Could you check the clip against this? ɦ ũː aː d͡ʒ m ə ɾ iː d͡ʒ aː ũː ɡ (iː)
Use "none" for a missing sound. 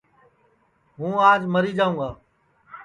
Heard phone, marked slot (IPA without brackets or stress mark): aː